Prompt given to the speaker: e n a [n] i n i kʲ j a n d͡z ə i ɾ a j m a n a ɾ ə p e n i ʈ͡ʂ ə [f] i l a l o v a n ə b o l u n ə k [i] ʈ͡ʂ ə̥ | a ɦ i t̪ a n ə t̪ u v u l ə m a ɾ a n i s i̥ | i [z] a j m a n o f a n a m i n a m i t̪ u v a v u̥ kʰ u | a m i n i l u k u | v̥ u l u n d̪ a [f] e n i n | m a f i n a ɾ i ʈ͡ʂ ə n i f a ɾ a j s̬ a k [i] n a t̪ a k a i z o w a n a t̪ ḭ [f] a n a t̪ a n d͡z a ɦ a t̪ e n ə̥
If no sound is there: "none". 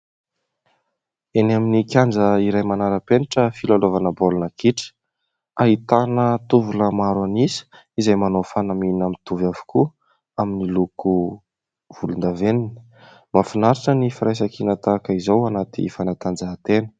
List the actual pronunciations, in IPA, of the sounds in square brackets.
m, f, i, z, v, i, f

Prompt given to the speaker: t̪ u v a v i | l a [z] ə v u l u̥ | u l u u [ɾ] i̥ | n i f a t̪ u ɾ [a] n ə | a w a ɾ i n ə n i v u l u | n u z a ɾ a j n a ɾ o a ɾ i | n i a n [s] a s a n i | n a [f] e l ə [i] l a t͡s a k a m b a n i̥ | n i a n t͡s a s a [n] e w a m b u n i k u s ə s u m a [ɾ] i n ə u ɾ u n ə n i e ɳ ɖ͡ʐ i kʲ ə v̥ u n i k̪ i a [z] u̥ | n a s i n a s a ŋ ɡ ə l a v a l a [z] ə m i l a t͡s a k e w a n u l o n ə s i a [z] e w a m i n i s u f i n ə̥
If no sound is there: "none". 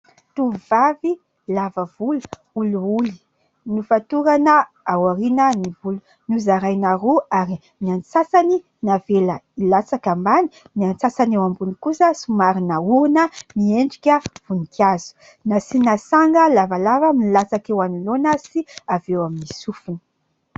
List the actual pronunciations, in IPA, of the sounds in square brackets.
v, l, a, t͡s, v, i, n, ɾ, z, v, v

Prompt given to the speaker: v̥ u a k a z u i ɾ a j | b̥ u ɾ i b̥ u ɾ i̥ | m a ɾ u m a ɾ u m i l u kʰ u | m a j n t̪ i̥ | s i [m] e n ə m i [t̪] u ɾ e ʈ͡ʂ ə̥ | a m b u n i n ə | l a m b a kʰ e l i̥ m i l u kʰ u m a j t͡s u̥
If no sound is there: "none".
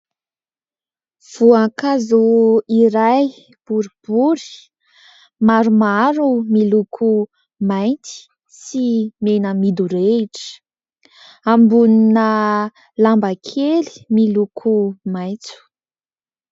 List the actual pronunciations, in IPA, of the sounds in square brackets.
m, d̪

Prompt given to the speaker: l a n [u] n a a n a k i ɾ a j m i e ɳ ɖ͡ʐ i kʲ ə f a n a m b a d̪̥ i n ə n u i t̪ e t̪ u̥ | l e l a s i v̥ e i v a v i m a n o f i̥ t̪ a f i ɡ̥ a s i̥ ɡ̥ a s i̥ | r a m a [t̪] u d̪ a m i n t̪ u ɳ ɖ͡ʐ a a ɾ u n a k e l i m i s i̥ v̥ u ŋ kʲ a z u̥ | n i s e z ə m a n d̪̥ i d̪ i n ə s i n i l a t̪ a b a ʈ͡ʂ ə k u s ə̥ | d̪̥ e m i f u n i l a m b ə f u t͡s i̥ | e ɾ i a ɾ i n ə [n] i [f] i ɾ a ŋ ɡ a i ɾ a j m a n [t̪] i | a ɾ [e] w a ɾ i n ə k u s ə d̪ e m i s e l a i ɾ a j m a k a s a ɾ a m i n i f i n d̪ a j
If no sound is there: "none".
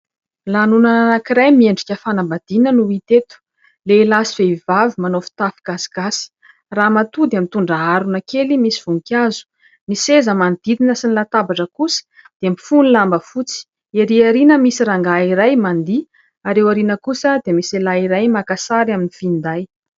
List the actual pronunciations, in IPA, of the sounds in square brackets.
u, t̪, m, s, d̪, e

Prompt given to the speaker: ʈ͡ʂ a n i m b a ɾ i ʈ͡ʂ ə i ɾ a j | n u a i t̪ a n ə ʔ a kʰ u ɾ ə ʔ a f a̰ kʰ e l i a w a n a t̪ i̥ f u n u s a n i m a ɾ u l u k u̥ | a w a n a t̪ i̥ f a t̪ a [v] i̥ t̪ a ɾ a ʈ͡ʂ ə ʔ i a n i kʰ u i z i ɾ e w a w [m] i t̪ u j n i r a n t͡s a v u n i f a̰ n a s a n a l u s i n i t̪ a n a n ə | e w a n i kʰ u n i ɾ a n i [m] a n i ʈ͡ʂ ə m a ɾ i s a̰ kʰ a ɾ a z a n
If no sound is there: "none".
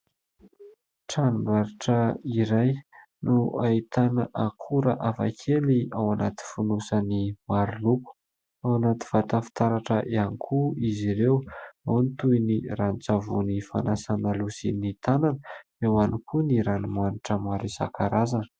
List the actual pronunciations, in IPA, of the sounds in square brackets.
f, n, m

